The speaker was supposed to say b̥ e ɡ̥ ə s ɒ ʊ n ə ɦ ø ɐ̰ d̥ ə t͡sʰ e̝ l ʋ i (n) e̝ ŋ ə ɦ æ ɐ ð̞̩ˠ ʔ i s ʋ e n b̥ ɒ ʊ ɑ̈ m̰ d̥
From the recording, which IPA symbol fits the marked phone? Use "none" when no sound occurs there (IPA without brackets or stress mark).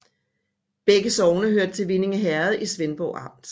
n